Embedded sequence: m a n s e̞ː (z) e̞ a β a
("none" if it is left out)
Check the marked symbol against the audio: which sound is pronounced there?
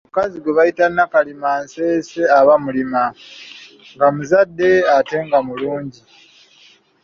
s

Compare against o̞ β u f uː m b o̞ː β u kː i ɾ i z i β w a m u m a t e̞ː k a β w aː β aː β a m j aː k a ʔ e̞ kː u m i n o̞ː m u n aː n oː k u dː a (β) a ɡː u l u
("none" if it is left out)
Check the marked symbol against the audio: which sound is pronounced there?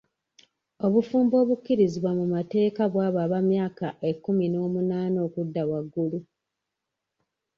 w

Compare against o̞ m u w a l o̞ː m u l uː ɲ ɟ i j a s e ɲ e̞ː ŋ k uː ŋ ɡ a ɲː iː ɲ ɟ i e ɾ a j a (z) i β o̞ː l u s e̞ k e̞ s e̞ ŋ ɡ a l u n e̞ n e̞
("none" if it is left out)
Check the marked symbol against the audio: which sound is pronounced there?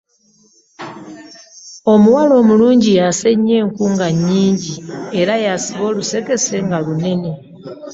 s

